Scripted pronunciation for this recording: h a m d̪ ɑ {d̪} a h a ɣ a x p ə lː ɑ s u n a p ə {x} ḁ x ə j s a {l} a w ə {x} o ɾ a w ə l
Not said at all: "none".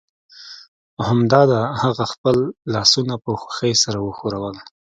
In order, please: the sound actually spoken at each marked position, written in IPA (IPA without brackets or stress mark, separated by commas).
d̪, x, ɾ, x